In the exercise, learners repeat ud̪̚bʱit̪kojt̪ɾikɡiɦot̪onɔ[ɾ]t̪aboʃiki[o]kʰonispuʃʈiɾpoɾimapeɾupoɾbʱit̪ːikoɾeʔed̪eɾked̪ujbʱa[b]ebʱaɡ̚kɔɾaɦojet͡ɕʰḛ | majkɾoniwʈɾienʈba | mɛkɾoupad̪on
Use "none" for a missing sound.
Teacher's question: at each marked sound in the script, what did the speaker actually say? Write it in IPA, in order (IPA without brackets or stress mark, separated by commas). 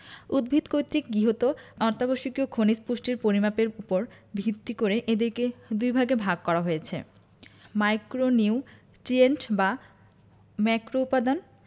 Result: ɾ, o, ɡ